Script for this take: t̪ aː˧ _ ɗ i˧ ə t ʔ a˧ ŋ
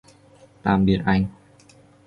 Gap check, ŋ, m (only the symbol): m